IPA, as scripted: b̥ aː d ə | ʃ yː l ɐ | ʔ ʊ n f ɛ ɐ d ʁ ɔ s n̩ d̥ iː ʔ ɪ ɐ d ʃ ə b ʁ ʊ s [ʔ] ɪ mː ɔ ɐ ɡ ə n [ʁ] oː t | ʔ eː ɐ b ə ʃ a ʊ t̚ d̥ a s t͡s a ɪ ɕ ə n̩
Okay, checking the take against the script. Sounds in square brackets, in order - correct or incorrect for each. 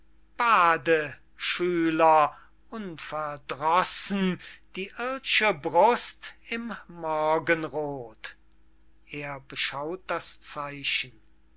incorrect: t, correct

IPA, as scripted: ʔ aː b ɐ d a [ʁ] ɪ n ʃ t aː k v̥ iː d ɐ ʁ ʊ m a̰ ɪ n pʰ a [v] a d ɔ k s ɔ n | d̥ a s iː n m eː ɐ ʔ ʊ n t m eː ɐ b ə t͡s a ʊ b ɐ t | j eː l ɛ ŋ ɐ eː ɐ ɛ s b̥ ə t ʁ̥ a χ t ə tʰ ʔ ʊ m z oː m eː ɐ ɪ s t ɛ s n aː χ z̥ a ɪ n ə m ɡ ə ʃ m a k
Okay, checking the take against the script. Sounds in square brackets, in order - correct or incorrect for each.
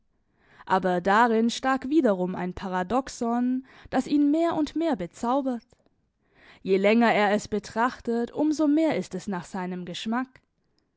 correct, incorrect: ʁ

